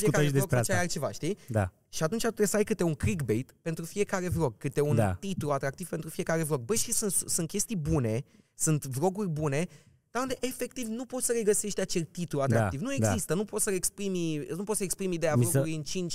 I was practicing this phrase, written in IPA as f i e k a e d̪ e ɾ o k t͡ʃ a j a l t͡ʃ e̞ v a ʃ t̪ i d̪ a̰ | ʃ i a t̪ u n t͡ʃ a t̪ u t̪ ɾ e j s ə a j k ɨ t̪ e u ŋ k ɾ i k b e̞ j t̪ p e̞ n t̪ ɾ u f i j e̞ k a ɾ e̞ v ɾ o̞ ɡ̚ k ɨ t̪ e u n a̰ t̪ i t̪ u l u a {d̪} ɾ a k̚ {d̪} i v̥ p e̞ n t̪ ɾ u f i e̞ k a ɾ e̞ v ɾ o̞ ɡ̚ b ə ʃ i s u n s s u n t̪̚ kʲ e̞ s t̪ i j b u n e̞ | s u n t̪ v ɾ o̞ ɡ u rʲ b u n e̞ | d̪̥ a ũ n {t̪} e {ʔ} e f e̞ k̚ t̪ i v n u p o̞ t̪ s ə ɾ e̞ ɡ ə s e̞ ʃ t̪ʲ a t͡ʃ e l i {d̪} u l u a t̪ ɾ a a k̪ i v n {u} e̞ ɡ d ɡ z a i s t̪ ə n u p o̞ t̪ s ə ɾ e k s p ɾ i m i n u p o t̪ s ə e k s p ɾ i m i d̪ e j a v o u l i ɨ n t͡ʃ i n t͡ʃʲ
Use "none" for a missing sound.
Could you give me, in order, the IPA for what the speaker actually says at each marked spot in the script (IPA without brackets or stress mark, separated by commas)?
t̪, t̪, d̪, ʔ, t̪, u